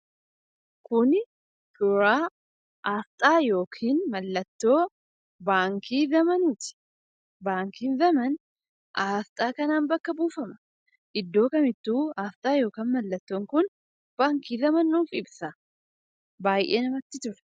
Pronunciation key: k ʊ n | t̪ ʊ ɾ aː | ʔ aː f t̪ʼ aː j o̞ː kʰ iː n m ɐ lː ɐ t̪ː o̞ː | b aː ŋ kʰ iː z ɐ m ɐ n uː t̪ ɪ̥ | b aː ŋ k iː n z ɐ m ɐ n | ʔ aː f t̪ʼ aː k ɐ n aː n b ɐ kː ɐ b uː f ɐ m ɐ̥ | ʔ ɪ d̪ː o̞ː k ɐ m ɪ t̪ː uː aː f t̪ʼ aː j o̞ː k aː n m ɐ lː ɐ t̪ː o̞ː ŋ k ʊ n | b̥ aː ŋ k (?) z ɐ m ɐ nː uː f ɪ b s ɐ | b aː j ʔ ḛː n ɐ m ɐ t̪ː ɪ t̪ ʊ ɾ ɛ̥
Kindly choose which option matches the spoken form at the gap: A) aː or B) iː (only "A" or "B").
B